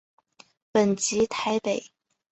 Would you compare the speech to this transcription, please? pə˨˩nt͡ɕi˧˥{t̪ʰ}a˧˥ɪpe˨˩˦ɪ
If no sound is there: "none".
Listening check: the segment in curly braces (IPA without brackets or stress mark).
t̪ʰ